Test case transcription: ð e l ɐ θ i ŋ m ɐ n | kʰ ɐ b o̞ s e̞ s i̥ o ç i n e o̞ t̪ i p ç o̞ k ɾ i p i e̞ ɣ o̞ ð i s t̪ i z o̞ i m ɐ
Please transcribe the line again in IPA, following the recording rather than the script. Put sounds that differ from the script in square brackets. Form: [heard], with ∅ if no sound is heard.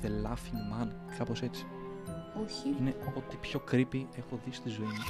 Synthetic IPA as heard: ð e l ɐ [f] i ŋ m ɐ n | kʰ ɐ [p] o̞ s e̞ [t͡s] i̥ o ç i n e o̞ t̪ i p ç o̞ k ɾ i p i e̞ [x] o̞ ð i s t̪ i z o̞ i m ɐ